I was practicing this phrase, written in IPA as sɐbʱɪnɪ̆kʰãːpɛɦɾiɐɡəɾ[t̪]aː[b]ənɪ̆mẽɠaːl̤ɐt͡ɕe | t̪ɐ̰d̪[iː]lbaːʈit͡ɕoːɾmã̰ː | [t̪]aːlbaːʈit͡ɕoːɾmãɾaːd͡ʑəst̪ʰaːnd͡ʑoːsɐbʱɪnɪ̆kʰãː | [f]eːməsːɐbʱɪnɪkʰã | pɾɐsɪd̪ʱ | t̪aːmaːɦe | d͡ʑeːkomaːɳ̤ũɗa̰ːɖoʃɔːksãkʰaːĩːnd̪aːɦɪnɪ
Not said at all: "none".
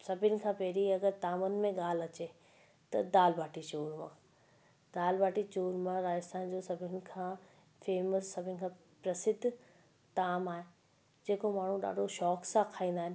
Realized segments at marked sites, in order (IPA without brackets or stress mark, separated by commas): t̪, m, aː, d̪, f